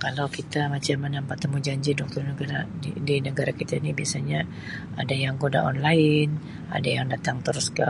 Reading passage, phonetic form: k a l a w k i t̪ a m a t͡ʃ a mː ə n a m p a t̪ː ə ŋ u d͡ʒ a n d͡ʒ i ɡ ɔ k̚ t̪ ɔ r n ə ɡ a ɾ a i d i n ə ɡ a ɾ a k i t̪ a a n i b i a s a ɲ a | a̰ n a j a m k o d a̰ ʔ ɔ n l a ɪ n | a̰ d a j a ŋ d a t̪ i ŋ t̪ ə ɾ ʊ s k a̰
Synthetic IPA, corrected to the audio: k a l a w k i t̪ a m a t͡ʃ a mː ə n a m p a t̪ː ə m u d͡ʒ a ɲ d͡ʒ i d ɔ k̚ t̪ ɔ r n ə ɡ a ɾ a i d i n ə ɡ a ɾ a k i t̪ a i n i b i a s a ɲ a | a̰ d a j a ŋ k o d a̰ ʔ ɔ n l a ɪ n | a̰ d a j a ŋ d a t̪ a ŋ t̪ ə ɾ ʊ s k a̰